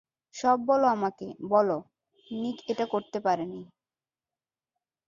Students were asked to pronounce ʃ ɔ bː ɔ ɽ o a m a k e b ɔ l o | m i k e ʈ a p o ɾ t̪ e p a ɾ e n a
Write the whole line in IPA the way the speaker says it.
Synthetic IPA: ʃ ɔ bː ɔ l o a m a k e b ɔ l o | n i k e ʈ a k o ɾ t̪ e p a ɾ e n i